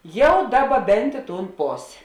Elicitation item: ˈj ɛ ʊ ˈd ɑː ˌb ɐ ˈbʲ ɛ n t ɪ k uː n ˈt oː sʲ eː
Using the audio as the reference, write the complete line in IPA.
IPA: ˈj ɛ ʊ ˈd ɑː ˌb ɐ ˈbʲ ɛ n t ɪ t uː n ˈp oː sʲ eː